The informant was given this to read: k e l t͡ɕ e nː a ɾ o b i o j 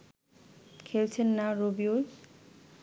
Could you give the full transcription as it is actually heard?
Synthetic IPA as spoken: kʰ e l t͡ɕʰ e nː a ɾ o b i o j